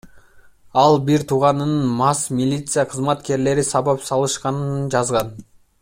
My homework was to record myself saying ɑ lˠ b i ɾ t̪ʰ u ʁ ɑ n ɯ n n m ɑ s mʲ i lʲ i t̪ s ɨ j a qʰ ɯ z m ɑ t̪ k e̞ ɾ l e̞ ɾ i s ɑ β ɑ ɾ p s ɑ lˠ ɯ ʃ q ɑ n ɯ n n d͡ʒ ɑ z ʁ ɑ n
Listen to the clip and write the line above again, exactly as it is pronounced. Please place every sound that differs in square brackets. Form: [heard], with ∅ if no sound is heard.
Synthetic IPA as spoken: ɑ lˠ b i ɾ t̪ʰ u ʁ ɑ n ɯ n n m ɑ s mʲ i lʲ i t̪ s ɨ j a qʰ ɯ z m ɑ t̪ k e̞ ɾ l e̞ ɾ i s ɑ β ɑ [∅] p s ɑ lˠ ɯ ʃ q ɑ n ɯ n n d͡ʒ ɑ z ʁ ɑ n